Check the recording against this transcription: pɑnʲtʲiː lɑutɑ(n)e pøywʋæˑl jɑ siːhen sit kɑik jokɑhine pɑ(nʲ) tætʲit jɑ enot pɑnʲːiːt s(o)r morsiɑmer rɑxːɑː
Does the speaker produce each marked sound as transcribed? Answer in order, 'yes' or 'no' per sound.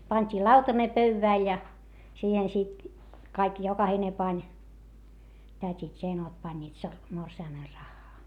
yes, yes, yes

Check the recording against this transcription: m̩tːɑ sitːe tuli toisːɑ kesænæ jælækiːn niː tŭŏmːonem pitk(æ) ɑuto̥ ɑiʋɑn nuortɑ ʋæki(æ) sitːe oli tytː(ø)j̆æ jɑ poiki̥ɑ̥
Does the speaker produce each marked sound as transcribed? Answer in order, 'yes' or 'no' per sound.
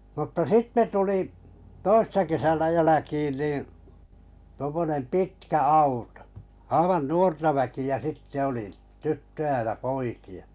yes, yes, yes

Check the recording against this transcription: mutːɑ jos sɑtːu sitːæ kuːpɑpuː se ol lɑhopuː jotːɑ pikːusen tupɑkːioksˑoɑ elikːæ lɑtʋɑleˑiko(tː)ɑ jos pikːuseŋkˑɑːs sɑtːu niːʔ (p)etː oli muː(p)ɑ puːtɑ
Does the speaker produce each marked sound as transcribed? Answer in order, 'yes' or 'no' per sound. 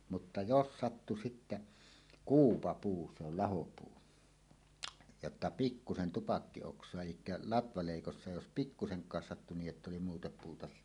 no, no, no

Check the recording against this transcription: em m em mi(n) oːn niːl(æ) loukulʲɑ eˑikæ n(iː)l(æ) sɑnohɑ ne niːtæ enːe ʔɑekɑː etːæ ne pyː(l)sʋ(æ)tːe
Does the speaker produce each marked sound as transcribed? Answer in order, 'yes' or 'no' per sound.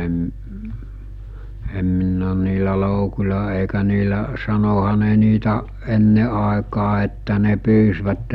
no, yes, yes, yes, no, yes

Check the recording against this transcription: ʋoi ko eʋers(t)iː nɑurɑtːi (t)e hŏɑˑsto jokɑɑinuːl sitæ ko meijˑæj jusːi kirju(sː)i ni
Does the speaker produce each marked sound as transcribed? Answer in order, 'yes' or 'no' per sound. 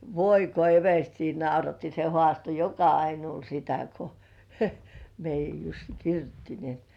yes, no, no

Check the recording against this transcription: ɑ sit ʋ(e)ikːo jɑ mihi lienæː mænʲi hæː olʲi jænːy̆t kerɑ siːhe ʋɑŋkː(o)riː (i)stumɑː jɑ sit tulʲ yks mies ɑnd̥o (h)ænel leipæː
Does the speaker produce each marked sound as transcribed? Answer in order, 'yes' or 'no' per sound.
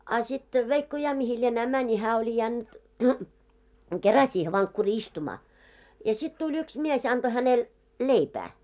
yes, no, yes, yes

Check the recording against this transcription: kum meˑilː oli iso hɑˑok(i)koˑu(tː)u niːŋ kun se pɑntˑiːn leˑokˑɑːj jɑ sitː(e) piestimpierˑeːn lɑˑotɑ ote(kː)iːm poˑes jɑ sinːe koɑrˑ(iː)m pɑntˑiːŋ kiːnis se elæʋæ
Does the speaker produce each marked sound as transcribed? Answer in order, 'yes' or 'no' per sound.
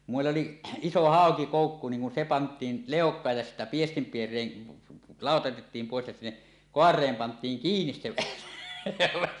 yes, no, no, no, no

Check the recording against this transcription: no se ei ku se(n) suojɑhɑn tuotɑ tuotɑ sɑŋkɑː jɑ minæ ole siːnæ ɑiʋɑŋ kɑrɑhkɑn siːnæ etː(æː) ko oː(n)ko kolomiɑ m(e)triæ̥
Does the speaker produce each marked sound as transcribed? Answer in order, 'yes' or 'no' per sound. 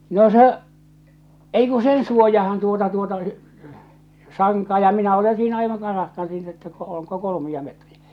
yes, no, no, yes

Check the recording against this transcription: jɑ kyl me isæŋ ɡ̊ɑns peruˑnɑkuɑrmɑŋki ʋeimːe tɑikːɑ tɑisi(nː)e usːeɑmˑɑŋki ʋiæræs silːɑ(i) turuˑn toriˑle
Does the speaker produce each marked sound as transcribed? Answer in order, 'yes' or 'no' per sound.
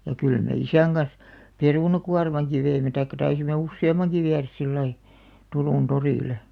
no, yes

